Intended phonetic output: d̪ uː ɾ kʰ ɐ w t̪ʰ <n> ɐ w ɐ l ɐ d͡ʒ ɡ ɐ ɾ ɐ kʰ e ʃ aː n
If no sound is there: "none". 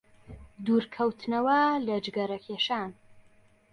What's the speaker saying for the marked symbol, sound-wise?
n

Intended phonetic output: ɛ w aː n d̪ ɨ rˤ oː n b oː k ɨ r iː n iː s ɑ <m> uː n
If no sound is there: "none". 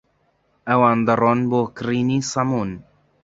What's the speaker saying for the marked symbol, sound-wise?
m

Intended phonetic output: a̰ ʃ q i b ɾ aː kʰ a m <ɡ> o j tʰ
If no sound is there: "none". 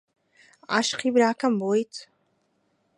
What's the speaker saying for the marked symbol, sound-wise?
b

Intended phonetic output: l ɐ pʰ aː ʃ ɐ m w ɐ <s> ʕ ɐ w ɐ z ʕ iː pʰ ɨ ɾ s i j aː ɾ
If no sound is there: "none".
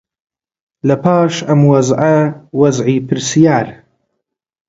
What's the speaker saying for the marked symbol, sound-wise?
z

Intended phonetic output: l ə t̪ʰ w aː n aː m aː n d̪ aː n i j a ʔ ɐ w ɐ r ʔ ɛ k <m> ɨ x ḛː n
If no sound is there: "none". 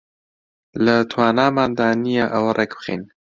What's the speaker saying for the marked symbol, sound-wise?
b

